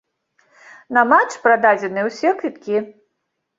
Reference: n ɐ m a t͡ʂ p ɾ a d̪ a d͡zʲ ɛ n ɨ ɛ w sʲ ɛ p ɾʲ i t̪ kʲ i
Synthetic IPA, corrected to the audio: n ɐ m a t͡ʂ p ɾ a d̪ a d͡zʲ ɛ n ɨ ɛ w sʲ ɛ k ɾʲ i t̪ kʲ i